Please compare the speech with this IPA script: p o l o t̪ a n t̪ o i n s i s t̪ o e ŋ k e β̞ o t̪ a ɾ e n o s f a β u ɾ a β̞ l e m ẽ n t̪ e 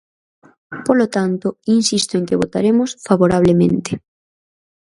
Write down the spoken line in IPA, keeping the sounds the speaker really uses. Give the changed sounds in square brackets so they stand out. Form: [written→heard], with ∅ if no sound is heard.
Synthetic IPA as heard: p o l o t̪ a n t̪ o i n s i s t̪ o e ŋ k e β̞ o t̪ a ɾ e [n→m] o s f a β [u→o] ɾ a β̞ l e m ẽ n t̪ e